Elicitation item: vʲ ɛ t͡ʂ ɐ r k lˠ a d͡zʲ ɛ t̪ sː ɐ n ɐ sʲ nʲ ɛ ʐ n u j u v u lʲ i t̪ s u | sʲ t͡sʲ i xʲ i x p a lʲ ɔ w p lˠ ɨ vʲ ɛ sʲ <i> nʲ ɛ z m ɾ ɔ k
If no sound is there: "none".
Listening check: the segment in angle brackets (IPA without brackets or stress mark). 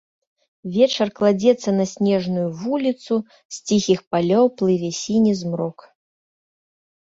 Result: i